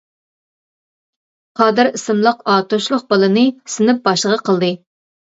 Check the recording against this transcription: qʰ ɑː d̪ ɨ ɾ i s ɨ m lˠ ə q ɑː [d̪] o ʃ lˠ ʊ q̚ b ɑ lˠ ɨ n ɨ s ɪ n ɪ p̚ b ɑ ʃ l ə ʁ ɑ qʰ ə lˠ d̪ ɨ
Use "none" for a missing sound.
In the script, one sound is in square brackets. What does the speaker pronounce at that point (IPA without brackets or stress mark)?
t̪